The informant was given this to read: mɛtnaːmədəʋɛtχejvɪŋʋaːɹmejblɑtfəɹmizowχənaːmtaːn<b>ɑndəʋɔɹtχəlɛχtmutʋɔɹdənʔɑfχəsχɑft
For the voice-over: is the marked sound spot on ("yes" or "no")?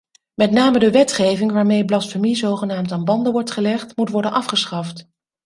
yes